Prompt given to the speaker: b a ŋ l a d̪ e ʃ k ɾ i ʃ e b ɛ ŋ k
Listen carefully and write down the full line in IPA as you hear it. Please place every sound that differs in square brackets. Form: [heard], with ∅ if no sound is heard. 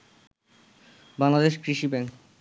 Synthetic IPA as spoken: b a ŋ l a d̪ e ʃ k ɾ i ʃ [i] b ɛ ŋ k